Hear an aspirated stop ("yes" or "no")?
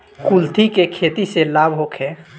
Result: yes